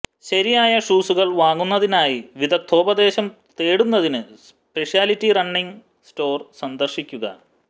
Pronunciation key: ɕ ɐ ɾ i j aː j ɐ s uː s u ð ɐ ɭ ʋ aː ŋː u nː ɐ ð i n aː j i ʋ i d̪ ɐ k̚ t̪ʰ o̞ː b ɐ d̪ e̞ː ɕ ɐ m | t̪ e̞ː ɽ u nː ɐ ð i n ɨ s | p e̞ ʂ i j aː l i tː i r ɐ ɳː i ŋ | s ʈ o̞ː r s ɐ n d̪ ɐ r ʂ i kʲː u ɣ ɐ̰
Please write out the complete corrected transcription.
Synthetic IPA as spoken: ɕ ɐ ɾ i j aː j ɐ ʂ uː s u ɣ ɐ ɭ ʋ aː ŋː u nː ɐ ð i n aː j i ʋ i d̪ ɐ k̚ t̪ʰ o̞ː b ɐ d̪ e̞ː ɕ ɐ m | t̪ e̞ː ɽ u nː ɐ ð i n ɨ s | p e̞ ʂ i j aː l i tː i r ɐ ɳː i ŋ | s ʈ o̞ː r s ɐ n d̪ ɐ r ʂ i kʲː u ɣ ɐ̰